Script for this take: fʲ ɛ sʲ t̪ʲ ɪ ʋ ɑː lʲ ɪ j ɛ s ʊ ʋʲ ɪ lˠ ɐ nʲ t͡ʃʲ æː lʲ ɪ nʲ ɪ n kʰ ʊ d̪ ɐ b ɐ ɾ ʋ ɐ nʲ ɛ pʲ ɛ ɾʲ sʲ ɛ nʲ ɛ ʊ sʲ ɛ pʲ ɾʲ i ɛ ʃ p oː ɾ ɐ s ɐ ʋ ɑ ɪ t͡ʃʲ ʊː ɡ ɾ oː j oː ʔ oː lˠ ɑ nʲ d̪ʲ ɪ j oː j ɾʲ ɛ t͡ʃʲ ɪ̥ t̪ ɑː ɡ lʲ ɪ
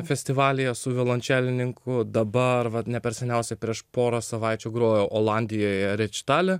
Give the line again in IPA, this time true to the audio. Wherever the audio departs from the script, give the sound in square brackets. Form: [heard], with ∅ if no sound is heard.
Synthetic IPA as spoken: fʲ ɛ sʲ t̪ʲ ɪ ʋ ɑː lʲ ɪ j ɛ s ʊ ʋʲ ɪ lˠ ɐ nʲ t͡ʃʲ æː lʲ ɪ nʲ ɪ [ŋ] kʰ ʊ d̪ ɐ b ɐ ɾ ʋ ɐ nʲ ɛ pʲ ɛ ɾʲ sʲ ɛ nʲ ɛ ʊ sʲ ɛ pʲ ɾʲ i ɛ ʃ p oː ɾ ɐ s ɐ ʋ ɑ ɪ t͡ʃʲ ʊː ɡ ɾ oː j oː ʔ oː lˠ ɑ nʲ d̪ʲ ɪ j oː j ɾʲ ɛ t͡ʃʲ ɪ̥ t̪ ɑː [∅] lʲ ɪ